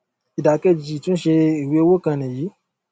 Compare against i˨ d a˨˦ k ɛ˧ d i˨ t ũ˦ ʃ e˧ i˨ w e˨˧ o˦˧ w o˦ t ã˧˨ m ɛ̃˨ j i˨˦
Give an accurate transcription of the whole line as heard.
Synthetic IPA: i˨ d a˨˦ k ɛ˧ d͡ʒ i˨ t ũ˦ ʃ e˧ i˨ w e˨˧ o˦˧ w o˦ k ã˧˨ n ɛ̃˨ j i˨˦